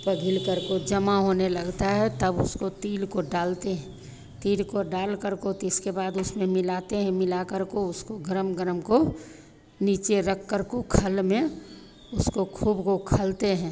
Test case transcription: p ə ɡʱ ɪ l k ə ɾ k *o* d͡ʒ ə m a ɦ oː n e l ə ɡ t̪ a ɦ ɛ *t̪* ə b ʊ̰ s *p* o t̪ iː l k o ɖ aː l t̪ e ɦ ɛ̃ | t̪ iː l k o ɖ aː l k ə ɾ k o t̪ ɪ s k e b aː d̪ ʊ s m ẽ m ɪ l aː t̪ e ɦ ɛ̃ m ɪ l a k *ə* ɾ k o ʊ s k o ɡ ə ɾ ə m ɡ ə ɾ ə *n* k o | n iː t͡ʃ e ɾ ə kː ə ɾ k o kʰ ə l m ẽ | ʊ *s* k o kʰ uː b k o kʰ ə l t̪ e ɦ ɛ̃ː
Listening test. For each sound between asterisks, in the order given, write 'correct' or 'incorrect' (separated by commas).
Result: correct, correct, incorrect, correct, incorrect, correct